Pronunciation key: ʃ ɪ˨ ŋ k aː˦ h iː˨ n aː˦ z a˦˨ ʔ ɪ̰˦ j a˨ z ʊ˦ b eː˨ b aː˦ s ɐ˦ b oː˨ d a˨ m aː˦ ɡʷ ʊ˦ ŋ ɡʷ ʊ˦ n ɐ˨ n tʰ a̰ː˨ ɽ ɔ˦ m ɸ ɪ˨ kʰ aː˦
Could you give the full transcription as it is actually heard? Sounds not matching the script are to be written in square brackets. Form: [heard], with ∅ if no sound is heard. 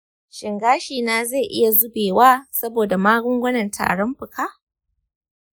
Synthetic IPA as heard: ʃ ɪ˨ ŋ [ɡ] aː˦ [ʃ] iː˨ n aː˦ z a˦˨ ʔ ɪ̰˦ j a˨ z ʊ˦ b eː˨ [w] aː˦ s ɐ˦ b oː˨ d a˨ m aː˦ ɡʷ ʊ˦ ŋ ɡʷ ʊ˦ n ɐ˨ n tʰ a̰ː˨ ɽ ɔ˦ m ɸ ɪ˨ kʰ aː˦